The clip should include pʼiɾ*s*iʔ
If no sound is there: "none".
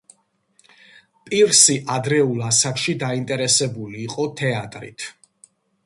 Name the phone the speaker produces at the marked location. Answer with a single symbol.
s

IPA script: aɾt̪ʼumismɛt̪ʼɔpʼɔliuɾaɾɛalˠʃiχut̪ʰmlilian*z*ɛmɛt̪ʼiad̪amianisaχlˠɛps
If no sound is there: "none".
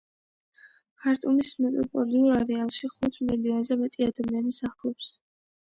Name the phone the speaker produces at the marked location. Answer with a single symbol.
z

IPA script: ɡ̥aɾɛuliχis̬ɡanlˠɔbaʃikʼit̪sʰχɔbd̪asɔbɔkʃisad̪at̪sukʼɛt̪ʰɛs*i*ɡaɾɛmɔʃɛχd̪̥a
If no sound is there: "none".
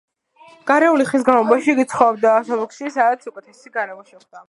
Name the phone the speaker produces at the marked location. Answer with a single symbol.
i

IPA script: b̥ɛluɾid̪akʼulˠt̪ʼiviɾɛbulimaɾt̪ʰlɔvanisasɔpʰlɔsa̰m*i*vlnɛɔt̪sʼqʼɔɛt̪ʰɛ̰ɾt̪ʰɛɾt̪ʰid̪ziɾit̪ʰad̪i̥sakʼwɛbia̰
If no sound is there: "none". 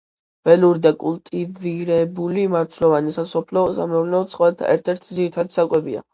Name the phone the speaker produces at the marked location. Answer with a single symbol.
ɛ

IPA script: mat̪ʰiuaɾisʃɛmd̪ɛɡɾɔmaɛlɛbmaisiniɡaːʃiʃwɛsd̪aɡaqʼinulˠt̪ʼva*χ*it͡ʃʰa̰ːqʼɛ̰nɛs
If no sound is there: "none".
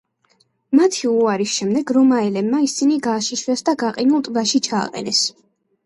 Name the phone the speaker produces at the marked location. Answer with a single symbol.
ʃ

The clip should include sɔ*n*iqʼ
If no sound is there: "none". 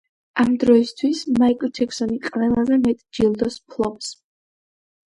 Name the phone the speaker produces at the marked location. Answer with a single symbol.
n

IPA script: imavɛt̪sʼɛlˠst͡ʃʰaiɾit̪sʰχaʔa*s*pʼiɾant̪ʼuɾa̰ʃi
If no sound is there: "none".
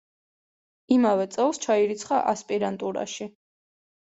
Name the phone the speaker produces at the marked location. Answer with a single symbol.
s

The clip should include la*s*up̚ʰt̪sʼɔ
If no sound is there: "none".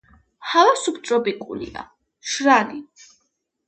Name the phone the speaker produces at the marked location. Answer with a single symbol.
s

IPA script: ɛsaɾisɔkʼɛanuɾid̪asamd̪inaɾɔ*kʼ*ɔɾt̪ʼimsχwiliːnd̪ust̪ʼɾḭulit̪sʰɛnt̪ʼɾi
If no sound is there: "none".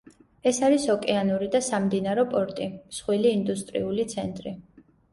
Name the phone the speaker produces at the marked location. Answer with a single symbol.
pʼ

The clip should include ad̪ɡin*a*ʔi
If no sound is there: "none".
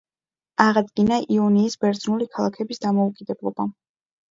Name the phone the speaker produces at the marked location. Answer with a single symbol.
a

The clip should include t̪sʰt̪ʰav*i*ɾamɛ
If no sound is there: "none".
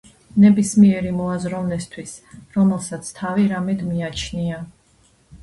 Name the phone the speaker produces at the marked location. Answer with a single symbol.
i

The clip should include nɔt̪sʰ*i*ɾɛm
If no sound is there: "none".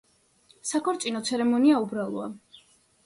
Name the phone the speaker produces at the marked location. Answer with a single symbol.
ɛ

